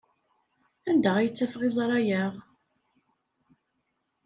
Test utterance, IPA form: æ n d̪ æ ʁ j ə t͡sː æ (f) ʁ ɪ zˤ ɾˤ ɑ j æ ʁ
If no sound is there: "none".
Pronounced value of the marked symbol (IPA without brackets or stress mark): f